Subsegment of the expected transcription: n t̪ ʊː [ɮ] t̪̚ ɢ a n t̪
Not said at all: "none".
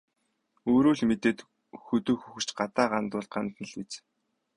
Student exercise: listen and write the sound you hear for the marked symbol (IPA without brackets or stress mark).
ɮ